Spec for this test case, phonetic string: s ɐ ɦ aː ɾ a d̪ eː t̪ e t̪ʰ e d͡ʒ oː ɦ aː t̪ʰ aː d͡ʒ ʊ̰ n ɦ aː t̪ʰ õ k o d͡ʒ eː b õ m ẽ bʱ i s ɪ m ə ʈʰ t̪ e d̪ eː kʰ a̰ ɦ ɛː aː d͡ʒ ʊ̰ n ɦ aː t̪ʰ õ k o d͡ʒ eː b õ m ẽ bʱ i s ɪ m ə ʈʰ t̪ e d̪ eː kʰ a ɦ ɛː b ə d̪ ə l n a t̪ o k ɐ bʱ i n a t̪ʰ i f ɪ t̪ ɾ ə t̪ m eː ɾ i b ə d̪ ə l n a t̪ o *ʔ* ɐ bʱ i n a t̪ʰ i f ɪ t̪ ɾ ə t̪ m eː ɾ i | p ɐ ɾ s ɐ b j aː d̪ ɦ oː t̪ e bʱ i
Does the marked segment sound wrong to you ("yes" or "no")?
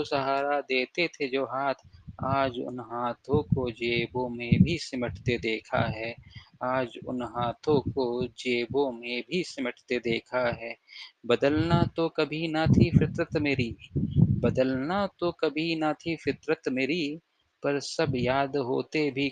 yes